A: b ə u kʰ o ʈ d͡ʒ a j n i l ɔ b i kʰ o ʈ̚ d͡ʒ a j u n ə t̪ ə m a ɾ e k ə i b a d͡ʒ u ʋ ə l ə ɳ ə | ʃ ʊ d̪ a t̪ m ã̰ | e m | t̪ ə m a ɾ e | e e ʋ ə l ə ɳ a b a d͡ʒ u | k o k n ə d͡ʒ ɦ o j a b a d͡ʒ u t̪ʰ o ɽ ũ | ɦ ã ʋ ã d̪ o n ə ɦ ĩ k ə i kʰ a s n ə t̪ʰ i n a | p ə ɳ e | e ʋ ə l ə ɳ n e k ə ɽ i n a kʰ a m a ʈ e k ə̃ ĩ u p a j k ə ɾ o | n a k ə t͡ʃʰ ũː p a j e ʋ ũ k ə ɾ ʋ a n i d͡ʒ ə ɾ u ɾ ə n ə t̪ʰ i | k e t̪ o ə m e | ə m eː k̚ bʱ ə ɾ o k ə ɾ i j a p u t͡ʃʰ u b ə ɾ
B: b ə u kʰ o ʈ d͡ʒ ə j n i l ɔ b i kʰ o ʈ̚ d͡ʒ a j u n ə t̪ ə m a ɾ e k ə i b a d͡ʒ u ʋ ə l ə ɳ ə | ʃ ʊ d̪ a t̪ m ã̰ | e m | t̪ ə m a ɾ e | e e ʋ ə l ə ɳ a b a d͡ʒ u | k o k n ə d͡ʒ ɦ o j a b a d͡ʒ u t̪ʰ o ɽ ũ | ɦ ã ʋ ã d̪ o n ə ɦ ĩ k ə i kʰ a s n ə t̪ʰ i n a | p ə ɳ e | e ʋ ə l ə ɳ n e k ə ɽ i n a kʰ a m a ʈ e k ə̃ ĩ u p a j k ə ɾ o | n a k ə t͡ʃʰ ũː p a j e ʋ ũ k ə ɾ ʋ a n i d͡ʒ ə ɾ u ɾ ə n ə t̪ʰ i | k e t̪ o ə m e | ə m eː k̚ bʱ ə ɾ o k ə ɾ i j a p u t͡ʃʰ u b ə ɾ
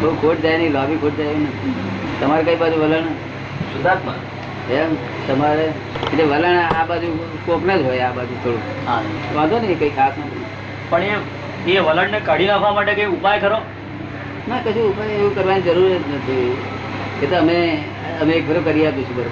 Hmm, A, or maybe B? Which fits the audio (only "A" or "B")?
A